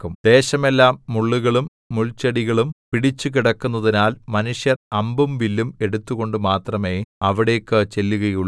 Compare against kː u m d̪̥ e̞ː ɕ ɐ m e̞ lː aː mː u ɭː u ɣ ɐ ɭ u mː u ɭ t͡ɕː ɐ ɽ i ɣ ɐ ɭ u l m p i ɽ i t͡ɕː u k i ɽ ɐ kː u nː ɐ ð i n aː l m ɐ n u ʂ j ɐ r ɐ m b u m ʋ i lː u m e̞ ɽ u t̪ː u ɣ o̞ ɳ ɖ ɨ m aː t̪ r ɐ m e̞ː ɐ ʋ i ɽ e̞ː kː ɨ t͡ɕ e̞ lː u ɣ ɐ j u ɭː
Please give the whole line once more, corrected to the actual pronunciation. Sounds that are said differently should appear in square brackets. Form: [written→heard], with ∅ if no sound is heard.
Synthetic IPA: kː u m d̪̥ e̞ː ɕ ɐ m e̞ lː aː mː u ɭː u ɣ ɐ ɭ u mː u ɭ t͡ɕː ɐ ɽ i ɣ ɐ ɭ u [l→∅] m p i ɽ i t͡ɕː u k i ɽ ɐ kː u nː ɐ ð i n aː l m ɐ n u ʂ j ɐ r ɐ m b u m ʋ i lː u m e̞ ɽ u t̪ː u ɣ o̞ ɳ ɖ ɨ m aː t̪ r ɐ m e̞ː ɐ ʋ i ɽ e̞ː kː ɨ t͡ɕ e̞ lː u ɣ ɐ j u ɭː